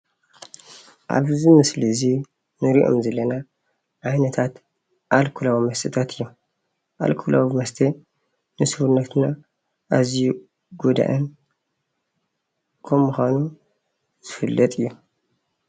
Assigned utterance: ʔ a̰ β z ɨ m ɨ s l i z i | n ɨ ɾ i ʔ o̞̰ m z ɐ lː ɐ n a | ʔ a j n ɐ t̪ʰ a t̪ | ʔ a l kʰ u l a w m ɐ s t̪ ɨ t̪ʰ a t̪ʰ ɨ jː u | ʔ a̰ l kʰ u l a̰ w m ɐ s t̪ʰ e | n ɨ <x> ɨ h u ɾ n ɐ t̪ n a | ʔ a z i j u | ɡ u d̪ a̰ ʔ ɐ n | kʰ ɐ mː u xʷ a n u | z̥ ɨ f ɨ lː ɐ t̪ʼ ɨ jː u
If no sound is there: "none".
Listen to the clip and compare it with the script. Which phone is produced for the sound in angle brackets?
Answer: s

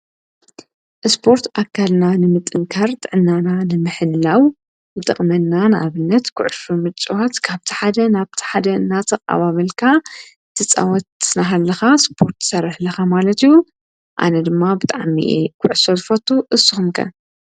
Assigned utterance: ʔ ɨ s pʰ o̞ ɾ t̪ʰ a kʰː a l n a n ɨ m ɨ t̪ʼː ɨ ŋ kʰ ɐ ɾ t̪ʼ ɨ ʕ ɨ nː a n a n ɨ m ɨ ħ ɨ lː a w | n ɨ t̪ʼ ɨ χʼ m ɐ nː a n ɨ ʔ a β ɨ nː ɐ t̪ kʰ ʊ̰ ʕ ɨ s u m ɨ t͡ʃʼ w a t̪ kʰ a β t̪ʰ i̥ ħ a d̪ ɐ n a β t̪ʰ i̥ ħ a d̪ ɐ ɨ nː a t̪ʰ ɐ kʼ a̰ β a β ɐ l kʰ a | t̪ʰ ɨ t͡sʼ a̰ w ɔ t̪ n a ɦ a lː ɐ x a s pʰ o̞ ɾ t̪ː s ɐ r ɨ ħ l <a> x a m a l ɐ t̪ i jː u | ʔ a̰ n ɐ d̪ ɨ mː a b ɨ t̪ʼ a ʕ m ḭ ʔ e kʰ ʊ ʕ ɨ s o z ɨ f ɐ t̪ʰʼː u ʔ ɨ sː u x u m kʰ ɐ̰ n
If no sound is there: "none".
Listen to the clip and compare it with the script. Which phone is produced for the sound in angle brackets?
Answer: ɐ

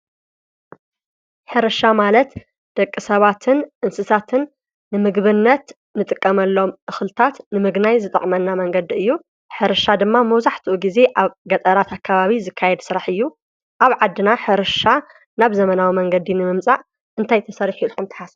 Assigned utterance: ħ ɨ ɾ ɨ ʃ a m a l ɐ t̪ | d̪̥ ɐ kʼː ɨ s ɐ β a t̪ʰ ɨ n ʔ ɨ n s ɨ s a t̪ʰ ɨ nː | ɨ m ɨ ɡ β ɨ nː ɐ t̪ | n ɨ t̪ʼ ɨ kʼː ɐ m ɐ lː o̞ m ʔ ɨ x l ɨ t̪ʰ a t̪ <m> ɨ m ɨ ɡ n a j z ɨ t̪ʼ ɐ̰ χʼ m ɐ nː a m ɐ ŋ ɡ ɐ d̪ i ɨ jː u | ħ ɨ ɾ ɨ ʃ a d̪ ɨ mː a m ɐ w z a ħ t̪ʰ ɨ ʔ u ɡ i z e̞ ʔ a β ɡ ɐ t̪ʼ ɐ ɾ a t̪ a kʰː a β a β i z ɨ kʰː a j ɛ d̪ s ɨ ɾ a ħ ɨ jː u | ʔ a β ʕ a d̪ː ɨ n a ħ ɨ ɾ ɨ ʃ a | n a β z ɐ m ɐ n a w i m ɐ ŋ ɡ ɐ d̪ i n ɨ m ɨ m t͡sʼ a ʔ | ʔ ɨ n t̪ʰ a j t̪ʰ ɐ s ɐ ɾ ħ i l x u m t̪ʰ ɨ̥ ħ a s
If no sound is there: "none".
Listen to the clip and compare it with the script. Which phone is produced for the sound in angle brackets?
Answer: n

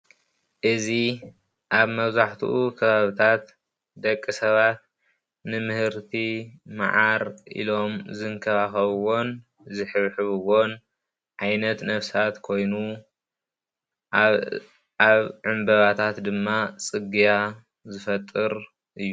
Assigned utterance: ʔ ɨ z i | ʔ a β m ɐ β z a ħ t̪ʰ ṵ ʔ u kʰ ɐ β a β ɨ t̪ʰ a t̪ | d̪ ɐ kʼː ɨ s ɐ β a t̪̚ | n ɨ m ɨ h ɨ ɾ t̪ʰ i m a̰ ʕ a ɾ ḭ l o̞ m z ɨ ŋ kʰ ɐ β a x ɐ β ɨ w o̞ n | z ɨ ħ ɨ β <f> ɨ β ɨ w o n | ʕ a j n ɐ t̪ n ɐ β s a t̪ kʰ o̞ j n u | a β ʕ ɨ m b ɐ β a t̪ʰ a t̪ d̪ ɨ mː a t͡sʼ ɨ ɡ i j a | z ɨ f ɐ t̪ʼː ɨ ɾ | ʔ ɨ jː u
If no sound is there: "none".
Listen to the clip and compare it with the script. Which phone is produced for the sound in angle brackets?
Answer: ħ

